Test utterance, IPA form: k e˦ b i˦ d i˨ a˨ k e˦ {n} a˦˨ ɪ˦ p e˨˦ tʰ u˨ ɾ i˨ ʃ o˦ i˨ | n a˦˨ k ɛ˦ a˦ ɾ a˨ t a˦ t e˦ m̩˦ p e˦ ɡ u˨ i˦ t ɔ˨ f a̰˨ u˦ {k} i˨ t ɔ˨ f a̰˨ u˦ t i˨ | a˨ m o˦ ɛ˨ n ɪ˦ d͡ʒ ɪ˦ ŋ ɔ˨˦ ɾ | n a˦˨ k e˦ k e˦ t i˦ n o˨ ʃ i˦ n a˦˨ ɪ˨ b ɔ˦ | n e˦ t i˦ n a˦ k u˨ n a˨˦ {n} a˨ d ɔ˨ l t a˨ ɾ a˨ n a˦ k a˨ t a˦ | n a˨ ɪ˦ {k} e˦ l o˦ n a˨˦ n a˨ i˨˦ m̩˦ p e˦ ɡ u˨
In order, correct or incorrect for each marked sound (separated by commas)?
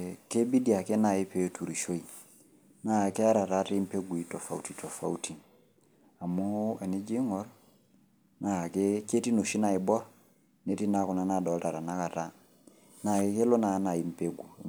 correct, incorrect, correct, correct